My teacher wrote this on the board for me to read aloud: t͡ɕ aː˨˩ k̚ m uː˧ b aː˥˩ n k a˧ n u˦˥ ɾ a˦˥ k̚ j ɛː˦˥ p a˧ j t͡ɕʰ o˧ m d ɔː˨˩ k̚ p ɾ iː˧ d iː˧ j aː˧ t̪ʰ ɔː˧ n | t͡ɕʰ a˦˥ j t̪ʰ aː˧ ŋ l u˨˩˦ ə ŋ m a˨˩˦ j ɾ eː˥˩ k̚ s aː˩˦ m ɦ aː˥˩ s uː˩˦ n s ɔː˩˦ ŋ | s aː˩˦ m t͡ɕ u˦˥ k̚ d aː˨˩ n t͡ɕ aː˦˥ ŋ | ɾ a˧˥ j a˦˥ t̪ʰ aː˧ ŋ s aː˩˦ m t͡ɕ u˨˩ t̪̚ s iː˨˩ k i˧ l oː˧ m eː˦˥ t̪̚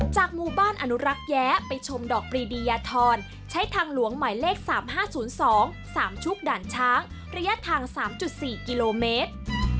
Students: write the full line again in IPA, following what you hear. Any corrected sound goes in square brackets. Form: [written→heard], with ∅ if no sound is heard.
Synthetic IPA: t͡ɕ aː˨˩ k̚ m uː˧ b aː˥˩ n [k→ʔ] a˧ n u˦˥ ɾ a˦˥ k̚ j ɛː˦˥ p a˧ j t͡ɕʰ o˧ m d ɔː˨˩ k̚ p ɾ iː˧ d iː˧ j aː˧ t̪ʰ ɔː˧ n | t͡ɕʰ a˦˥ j t̪ʰ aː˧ ŋ l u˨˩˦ ə ŋ m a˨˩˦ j [ɾ→l] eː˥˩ k̚ s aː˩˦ m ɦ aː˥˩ s uː˩˦ n s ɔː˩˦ ŋ | s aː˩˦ m [t͡ɕ→t͡ɕʰ] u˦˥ k̚ d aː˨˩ n [t͡ɕ→t͡ɕʰ] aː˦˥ ŋ | ɾ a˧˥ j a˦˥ t̪ʰ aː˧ ŋ s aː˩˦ m t͡ɕ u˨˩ t̪̚ s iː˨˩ k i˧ l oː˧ m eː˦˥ t̪̚